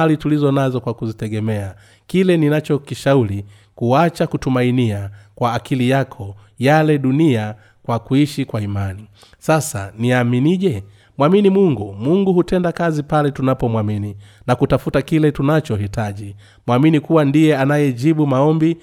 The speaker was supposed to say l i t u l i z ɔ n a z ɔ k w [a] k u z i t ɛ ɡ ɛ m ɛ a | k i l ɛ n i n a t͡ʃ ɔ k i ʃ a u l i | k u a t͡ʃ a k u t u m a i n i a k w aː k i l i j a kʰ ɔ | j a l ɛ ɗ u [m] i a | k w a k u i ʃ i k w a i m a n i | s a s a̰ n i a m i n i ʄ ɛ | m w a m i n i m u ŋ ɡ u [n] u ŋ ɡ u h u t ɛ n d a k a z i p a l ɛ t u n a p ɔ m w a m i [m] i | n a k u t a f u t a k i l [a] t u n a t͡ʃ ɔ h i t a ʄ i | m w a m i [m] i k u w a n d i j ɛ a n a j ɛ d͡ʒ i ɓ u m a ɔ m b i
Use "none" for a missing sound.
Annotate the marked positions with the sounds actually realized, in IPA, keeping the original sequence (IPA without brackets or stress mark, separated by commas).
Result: a, n, m, n, ɛ, n